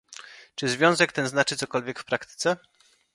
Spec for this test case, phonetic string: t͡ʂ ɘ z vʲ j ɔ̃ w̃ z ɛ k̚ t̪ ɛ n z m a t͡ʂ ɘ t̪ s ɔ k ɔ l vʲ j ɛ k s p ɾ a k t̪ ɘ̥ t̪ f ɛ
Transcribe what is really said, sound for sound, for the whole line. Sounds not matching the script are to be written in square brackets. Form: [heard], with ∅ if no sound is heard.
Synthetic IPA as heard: t͡ʂ ɘ z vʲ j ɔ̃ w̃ z ɛ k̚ t̪ ɛ n z [n] a t͡ʂ ɘ t̪ s ɔ k ɔ l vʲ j ɛ k [f] p ɾ a k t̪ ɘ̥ t̪ [s] ɛ